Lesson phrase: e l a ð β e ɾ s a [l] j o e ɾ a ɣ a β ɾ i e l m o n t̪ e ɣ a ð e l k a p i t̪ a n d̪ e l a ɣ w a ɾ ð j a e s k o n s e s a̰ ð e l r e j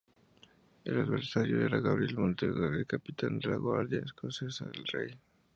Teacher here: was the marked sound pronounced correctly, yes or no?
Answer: no